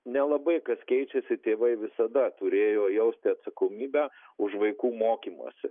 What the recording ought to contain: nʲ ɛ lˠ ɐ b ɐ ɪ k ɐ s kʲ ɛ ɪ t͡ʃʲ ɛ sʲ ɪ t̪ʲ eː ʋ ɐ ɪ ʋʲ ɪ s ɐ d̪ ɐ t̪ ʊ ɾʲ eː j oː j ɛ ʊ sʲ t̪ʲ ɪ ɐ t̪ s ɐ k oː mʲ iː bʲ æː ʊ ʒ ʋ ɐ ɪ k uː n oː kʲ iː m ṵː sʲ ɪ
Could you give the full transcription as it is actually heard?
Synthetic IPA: nʲ ɛ lˠ ɐ b ɐ ɪ k ɐ s kʲ ɛ ɪ t͡ʃʲ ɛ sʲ ɪ t̪ʲ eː ʋ ɐ ɪ ʋʲ ɪ s ɐ d̪ ɐ t̪ ʊ ɾʲ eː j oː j ɛ ʊ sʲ t̪ʲ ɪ ɐ t̪ s ɐ k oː mʲ iː bʲ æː ʊ ʃ ʋ ɐ ɪ k uː m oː kʲ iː m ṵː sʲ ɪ